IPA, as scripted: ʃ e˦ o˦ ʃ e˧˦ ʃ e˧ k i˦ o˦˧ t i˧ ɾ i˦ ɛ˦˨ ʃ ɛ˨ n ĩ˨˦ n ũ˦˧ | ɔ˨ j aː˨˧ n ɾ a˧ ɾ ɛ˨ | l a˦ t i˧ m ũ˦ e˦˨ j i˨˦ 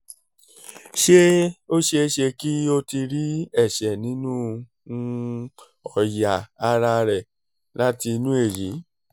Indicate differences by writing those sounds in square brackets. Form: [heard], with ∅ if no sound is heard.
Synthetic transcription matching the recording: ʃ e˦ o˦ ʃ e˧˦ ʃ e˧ k i˦ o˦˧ t i˧ ɾ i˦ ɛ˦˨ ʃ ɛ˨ n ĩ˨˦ n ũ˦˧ | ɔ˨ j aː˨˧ [∅] ɾ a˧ ɾ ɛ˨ | l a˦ t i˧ [n] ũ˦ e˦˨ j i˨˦